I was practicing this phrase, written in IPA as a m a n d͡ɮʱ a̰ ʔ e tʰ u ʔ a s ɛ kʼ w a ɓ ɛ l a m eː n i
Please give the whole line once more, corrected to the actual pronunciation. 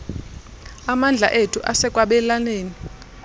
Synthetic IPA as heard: a m a n d͡ɮʱ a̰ ʔ e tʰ u ʔ a s ɛ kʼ w a ɓ ɛ l a n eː n i